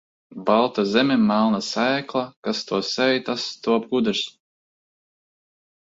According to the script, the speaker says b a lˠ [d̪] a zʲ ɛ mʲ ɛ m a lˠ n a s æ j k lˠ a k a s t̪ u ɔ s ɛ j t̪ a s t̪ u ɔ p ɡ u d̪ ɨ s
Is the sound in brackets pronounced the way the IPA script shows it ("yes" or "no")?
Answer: no